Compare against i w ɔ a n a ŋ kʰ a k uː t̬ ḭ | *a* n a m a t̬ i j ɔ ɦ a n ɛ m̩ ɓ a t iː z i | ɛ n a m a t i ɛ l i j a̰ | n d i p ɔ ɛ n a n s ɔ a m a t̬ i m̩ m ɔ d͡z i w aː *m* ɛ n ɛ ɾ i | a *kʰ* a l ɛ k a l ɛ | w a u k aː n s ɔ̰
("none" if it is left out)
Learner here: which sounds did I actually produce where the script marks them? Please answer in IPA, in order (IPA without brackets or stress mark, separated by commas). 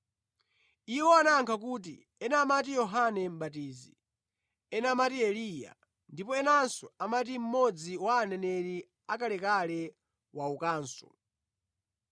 ɛ, n, k